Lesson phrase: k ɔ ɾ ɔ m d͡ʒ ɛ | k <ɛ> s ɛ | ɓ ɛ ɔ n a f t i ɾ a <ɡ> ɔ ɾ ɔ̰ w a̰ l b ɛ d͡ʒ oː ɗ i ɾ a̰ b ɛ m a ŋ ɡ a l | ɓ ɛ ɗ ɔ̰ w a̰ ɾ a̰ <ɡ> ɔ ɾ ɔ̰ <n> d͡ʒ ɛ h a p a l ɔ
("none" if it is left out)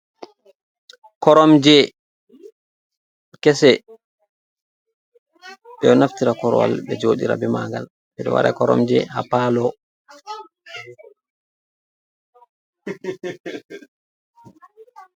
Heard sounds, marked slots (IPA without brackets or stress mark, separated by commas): ɛ, k, k, m